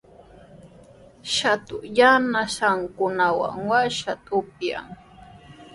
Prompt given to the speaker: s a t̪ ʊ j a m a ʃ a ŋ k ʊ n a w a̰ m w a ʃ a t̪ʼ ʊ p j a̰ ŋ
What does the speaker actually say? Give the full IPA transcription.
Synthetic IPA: ʃ a t̪ ʊ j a n a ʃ a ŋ k ʊ n a w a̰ ŋ w a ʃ a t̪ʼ ʊ p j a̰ ŋ